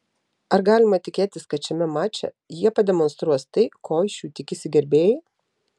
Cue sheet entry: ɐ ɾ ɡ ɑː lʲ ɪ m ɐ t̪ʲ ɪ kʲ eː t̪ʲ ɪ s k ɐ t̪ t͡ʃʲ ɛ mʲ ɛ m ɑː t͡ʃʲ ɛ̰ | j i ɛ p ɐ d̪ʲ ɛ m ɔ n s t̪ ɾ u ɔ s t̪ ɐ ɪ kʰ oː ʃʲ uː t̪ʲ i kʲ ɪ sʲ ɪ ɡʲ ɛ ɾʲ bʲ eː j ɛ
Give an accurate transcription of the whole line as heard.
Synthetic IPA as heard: ɐ ɾ ɡ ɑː lʲ ɪ m ɐ t̪ʲ ɪ kʲ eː t̪ʲ ɪ s k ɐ t̪ t͡ʃʲ ɛ mʲ ɛ m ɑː t͡ʃʲ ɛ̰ | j i ɛ p ɐ d̪ʲ ɛ m ɔ n s t̪ ɾ u ɔ s t̪ ɐ ɪ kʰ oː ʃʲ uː t̪ʲ ɪ kʲ ɪ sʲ ɪ ɡʲ ɛ ɾʲ bʲ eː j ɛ